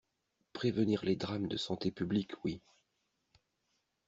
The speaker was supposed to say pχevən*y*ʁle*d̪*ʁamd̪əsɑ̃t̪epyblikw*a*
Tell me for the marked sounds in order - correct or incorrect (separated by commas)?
incorrect, correct, incorrect